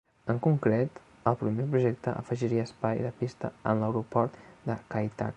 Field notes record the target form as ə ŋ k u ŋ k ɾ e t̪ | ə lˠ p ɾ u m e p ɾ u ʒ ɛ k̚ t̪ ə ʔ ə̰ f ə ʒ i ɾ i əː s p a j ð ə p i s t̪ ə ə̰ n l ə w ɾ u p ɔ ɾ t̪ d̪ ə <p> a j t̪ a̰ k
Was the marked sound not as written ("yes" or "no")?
yes